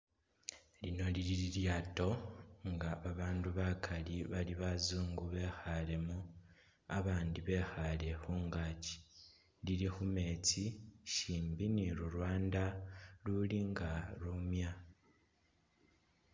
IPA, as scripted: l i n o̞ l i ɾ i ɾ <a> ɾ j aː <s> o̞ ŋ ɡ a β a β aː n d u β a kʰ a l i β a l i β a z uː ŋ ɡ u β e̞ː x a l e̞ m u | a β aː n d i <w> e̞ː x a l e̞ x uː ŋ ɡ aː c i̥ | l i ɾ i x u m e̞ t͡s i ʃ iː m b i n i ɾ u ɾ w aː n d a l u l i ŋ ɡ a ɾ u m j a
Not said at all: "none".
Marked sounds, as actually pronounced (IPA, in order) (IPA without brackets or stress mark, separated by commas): i, t, β